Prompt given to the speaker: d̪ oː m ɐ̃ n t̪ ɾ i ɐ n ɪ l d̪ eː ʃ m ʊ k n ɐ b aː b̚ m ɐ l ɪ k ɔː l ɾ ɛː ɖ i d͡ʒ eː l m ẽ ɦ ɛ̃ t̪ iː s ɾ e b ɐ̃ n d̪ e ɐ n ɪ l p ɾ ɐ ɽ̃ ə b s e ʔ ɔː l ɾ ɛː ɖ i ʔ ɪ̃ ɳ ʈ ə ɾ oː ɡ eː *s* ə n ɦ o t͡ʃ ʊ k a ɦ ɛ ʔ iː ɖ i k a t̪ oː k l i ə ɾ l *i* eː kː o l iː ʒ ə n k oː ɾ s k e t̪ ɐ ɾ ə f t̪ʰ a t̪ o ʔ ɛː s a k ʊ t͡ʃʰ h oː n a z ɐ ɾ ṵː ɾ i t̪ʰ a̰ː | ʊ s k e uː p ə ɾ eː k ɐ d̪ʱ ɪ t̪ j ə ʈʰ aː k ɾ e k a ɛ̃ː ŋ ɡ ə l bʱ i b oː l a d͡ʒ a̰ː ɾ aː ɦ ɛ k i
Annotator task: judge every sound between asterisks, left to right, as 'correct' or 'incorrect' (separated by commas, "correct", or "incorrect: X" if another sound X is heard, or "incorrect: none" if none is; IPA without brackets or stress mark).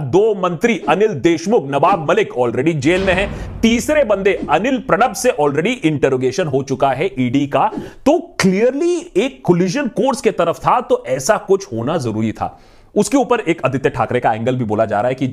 incorrect: ʃ, correct